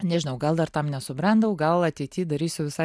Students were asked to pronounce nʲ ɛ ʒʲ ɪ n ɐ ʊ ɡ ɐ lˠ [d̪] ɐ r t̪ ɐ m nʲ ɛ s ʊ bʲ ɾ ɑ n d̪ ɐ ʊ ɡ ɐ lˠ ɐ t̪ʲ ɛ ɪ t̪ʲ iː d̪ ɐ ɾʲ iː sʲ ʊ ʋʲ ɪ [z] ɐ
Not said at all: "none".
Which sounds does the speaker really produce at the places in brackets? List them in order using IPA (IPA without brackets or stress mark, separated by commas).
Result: d̪, s